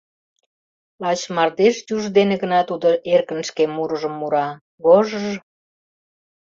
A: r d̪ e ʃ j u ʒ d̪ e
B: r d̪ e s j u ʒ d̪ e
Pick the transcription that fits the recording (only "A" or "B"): A